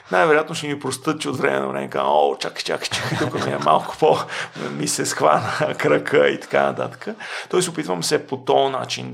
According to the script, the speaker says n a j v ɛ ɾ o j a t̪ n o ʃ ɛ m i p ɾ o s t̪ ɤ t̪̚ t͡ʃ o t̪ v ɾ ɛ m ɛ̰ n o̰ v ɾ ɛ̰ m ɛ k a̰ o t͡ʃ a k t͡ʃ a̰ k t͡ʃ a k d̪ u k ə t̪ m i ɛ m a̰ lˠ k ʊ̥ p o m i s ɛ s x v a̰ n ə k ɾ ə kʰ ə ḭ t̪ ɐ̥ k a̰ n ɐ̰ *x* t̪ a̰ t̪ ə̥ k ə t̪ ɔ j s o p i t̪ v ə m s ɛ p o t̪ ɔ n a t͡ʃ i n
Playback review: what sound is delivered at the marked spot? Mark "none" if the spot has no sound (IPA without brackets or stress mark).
none